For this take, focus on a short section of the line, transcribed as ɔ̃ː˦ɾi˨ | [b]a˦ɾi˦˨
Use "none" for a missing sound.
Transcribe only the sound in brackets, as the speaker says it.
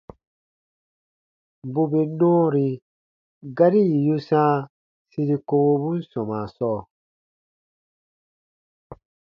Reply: ɡ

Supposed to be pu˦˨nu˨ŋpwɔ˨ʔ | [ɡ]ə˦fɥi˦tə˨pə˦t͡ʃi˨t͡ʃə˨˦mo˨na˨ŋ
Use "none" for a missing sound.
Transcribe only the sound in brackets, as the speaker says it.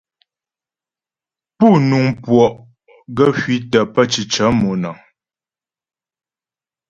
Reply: ɡ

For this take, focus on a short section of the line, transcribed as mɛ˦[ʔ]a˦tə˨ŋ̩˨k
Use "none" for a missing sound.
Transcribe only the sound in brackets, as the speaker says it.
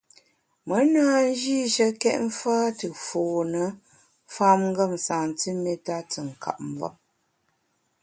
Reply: t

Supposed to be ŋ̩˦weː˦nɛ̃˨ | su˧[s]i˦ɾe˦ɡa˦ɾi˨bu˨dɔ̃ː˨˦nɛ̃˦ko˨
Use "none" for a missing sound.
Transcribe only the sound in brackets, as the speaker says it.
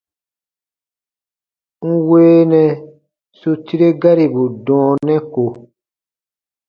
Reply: t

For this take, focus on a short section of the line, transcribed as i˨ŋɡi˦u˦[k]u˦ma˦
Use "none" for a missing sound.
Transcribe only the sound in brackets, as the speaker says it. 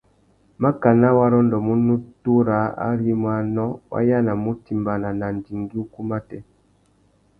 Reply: k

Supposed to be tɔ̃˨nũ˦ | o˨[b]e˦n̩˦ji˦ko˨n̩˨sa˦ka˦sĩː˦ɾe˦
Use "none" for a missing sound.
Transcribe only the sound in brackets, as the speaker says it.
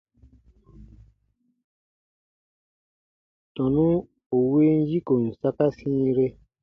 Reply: w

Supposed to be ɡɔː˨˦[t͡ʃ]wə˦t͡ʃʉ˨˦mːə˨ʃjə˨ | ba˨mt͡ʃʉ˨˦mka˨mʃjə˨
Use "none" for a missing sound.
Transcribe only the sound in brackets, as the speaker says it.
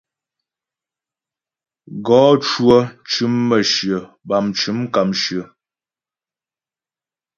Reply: t͡ʃ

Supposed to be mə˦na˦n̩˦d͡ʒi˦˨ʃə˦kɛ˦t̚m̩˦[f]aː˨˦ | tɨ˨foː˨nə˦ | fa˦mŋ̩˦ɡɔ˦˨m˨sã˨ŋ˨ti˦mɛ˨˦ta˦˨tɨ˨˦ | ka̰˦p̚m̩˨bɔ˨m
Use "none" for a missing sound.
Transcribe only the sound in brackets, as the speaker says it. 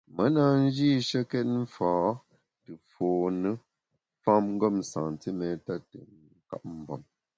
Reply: f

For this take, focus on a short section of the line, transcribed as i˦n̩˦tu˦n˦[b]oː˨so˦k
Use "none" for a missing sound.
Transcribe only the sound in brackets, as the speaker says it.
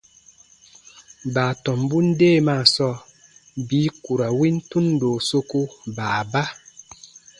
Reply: d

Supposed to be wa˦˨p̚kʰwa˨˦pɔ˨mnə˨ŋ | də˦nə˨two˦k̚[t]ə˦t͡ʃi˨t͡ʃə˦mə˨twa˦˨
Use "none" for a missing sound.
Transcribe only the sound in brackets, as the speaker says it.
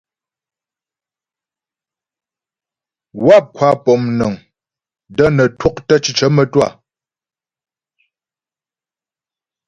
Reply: t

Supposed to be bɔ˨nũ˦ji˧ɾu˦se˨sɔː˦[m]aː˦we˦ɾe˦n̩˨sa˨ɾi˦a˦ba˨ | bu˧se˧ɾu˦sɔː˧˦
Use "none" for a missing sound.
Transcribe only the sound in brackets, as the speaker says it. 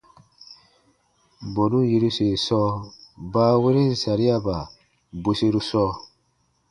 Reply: b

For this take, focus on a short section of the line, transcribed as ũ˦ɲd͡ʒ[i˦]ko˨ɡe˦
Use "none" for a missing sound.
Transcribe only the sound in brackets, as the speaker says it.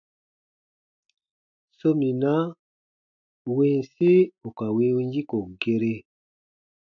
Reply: i˦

